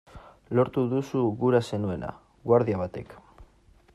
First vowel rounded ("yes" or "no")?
yes